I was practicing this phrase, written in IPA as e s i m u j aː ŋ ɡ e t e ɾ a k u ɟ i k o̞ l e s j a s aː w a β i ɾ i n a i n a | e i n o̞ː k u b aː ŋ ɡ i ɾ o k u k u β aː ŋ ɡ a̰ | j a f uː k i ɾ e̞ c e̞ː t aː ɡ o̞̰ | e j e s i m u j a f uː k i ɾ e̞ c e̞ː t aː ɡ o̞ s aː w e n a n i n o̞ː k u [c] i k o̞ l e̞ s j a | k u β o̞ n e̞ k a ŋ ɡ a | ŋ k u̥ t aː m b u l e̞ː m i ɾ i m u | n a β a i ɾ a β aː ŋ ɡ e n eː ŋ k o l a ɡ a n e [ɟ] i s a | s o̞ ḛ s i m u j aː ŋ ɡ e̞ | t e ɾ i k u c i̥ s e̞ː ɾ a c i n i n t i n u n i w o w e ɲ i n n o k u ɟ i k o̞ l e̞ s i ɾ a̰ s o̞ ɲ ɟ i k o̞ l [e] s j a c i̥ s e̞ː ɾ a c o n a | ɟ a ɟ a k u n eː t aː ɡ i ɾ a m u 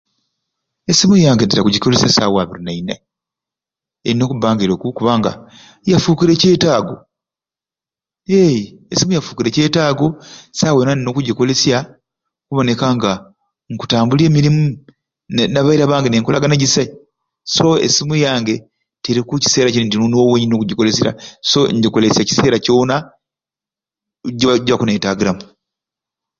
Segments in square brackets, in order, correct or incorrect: incorrect: ɟ, correct, correct

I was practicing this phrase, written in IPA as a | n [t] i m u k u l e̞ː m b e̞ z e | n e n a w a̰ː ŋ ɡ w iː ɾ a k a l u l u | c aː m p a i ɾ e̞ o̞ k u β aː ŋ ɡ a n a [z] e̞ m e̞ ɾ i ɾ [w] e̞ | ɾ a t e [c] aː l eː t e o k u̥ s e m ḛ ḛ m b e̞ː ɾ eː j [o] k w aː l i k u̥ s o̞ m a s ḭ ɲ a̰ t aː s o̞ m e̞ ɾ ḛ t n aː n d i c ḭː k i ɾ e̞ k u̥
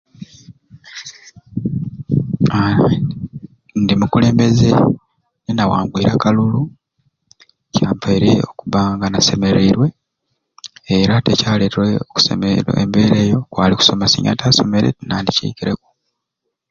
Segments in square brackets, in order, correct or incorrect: incorrect: d, incorrect: s, correct, correct, correct

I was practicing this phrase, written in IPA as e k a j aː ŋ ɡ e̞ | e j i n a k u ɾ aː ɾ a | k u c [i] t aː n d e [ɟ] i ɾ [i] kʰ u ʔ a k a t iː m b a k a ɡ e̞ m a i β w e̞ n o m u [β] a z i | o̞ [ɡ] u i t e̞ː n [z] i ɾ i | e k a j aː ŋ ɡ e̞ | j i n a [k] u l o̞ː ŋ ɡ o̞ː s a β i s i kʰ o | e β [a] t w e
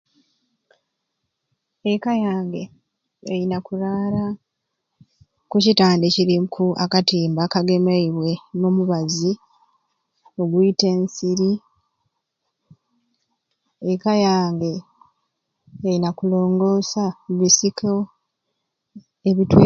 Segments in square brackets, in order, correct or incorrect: correct, incorrect: c, correct, correct, correct, incorrect: s, correct, incorrect: i

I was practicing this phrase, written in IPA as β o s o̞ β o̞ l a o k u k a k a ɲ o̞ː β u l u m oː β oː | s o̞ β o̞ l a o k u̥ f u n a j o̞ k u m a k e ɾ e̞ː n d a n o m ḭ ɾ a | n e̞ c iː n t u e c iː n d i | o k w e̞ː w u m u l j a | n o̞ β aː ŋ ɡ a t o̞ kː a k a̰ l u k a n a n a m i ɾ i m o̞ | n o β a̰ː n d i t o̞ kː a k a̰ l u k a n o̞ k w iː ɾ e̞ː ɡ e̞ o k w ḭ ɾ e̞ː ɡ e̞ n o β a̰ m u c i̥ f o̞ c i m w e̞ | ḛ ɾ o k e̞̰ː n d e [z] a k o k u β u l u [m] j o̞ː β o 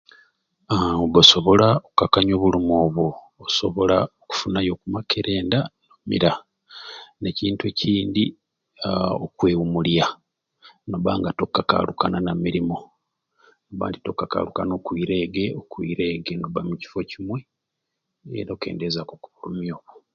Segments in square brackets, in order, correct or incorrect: correct, correct

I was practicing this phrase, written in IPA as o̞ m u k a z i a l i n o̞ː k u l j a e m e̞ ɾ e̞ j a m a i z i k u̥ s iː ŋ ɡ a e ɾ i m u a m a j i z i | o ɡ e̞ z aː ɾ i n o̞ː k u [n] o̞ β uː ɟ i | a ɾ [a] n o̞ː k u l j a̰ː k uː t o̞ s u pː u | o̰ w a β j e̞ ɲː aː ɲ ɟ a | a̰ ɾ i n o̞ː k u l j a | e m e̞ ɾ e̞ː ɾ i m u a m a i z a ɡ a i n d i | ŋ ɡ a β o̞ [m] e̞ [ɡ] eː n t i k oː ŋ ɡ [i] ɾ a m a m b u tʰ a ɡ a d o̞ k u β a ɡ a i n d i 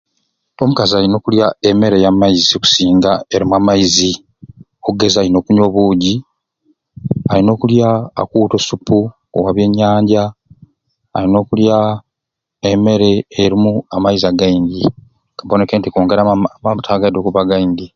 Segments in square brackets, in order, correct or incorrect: incorrect: ɲ, incorrect: i, incorrect: n, incorrect: k, incorrect: e

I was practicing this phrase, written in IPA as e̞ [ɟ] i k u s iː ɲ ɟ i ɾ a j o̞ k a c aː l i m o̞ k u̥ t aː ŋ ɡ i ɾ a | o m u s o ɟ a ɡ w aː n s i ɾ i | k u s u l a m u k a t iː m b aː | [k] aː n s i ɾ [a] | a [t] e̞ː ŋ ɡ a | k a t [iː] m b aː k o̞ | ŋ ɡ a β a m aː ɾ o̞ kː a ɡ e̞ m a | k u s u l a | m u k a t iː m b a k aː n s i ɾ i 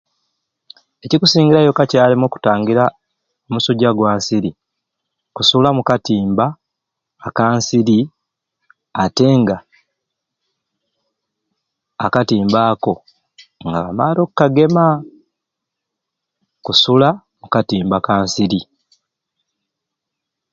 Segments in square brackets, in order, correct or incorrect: incorrect: c, correct, incorrect: i, correct, correct

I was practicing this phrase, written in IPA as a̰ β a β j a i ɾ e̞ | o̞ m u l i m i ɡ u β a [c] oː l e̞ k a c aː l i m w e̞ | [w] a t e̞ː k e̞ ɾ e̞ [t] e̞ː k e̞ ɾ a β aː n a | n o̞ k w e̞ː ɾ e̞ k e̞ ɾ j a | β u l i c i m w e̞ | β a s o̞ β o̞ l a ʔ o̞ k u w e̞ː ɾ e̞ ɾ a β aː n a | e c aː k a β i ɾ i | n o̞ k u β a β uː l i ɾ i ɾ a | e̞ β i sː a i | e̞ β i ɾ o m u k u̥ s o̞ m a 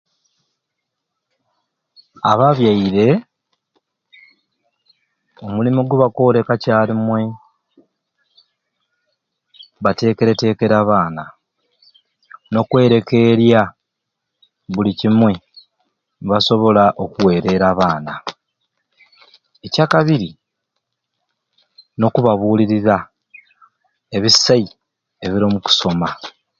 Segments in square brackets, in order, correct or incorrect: incorrect: k, incorrect: β, correct

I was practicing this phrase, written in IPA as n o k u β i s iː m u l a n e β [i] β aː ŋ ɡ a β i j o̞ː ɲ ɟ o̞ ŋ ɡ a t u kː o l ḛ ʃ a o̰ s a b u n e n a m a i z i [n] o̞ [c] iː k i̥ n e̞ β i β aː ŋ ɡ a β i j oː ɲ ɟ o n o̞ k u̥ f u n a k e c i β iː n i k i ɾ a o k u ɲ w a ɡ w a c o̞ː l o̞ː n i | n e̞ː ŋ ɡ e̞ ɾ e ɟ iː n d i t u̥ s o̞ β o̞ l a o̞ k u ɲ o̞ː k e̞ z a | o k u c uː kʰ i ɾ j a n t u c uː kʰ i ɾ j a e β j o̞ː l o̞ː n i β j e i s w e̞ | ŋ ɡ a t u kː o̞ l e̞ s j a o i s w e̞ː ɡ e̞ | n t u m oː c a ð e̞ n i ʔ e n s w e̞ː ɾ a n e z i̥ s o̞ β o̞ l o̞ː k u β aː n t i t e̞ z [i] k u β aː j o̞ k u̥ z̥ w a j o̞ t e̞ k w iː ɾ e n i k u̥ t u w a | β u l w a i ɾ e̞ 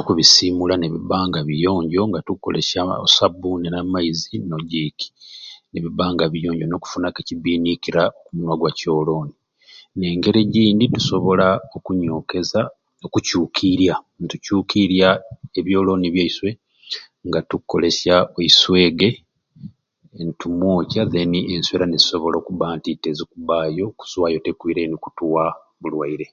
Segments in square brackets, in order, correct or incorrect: correct, correct, incorrect: ɟ, correct

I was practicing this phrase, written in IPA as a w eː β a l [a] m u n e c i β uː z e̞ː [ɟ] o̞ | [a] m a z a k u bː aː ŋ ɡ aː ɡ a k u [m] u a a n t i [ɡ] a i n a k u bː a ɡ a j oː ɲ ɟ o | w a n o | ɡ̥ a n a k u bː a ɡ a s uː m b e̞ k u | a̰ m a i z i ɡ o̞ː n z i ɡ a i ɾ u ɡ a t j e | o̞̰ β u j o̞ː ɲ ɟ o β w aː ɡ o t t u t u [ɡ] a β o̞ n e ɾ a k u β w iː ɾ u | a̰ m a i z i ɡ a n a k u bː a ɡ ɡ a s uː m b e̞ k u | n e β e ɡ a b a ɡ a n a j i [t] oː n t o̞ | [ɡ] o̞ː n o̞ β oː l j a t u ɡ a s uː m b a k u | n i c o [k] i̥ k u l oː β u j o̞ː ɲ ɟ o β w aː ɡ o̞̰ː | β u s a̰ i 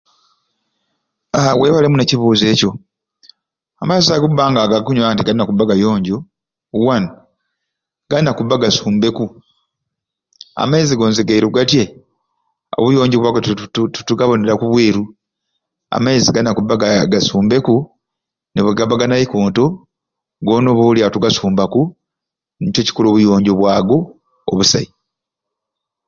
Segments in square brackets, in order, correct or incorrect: incorrect: e, incorrect: c, correct, incorrect: ɲ, correct, correct, incorrect: k, correct, incorrect: c

